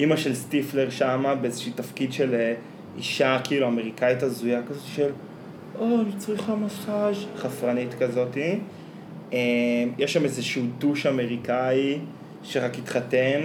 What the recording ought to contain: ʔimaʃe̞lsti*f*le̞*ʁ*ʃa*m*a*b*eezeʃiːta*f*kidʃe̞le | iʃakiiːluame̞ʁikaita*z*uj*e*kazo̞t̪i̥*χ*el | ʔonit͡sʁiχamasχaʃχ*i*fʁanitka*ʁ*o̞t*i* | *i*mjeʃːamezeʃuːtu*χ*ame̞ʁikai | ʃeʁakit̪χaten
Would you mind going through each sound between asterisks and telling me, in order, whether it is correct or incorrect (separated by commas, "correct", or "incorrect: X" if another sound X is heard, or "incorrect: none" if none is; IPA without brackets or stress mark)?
correct, correct, correct, correct, correct, correct, incorrect: a, incorrect: ʃ, incorrect: a, incorrect: z, correct, incorrect: e, incorrect: ʃ